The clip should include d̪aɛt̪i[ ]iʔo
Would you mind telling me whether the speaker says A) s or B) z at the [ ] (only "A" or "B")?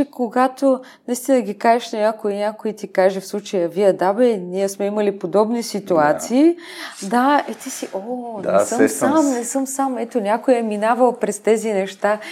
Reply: A